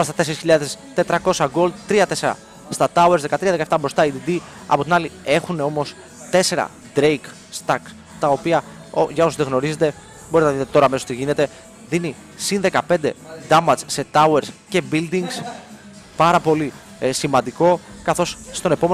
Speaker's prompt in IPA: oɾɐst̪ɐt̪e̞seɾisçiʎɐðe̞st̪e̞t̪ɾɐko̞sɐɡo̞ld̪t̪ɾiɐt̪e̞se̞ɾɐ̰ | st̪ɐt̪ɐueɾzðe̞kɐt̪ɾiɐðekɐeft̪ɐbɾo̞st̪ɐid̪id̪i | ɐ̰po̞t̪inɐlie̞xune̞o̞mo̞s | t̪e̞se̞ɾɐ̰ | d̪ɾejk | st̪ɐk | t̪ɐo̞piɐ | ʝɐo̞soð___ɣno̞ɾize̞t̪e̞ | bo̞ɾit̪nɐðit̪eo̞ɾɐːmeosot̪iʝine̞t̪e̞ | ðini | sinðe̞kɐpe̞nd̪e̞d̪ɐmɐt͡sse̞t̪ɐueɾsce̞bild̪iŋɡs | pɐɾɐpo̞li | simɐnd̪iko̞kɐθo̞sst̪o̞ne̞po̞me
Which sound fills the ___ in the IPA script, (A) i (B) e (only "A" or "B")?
B